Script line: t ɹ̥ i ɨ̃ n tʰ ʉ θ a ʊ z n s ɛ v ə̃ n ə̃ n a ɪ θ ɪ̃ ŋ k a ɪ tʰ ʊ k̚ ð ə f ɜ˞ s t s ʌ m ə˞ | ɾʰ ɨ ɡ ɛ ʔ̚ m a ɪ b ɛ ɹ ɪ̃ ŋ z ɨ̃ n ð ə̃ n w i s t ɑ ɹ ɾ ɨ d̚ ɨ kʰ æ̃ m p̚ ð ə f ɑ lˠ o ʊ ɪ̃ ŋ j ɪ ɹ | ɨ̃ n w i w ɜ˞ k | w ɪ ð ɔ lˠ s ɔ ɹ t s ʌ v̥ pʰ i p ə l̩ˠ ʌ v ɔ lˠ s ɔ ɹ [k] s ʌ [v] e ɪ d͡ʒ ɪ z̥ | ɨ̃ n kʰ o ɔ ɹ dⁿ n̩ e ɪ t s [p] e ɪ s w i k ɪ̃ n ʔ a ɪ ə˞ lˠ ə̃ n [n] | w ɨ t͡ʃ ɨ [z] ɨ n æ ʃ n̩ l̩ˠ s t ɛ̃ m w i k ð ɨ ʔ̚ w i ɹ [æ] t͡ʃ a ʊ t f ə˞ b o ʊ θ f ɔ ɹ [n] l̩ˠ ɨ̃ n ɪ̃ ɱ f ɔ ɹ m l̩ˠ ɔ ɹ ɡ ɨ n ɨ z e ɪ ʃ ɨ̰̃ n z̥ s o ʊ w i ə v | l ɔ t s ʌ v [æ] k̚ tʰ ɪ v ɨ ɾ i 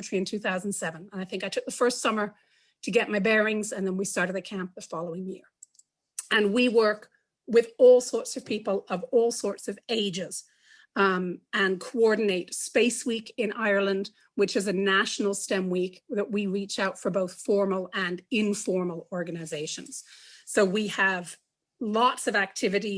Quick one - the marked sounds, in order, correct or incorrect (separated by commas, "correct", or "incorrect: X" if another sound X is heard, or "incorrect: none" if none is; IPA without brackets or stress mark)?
incorrect: t, correct, correct, incorrect: d, correct, incorrect: i, incorrect: m, correct